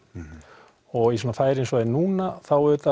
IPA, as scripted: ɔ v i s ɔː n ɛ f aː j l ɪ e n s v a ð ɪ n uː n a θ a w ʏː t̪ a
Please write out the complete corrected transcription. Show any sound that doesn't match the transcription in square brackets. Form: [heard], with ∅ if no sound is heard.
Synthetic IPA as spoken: ɔ [ɣ] i s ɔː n [a] f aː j [ɾ] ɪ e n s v a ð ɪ n uː n a θ a w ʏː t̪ a